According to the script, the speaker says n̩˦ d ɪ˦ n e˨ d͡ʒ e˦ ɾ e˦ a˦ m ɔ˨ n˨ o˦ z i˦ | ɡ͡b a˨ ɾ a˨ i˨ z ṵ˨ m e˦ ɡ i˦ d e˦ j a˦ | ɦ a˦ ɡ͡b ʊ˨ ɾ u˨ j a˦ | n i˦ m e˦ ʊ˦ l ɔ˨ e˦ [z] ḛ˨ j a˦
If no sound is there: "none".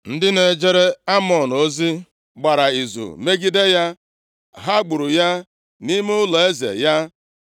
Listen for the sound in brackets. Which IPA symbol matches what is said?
z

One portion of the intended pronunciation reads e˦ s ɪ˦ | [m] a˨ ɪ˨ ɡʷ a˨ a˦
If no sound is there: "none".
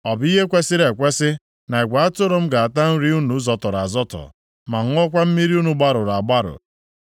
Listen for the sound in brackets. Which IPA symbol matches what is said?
n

